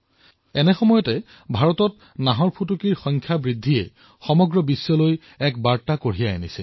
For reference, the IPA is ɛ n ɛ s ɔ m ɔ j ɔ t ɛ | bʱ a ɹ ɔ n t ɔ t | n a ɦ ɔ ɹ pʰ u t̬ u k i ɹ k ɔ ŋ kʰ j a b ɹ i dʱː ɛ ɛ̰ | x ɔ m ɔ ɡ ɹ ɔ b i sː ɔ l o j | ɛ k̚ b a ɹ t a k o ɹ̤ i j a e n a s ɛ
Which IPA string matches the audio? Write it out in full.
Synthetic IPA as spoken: ɛ n ɛ x ɔ m ɔ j ɔ t ɛ | bʱ a ɹ ɔ t ɔ t | n a ɦ ɔ ɹ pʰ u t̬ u k i ɹ x ɔ ŋ kʰ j a b ɹ i dʱː i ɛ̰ | x ɔ m ɔ ɡ ɹ ɔ b i sː ɔ l o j | ɛ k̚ b a ɹ t a k o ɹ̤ i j a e n i s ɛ